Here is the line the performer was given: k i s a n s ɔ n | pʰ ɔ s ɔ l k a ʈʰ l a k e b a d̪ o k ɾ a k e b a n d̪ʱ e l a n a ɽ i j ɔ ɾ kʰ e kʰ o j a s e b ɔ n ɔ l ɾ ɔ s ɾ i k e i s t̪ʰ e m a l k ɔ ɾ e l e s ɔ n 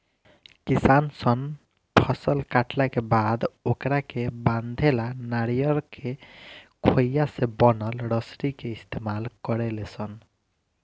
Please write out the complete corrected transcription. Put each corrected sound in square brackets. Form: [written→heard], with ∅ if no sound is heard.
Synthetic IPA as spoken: k i s a n s ɔ n | pʰ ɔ s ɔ l k a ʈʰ l a k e b a d̪ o k ɾ a k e b a n d̪ʱ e l a n a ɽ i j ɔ ɾ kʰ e kʰ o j a s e b ɔ n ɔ l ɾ ɔ s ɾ i k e i s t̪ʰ e m a l k ɔ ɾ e l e s ɔ n